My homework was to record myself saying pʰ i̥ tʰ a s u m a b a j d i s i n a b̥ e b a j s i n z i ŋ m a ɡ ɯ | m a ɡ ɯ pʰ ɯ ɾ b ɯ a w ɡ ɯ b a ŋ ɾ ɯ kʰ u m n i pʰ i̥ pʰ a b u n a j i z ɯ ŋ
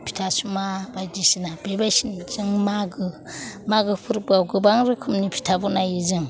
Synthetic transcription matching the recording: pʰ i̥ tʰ a s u m a b a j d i s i n a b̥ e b a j s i n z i ŋ m a ɡ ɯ | m a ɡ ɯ pʰ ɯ ɾ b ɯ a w ɡ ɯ b a ŋ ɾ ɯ kʰ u m n i pʰ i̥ tʰ a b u n a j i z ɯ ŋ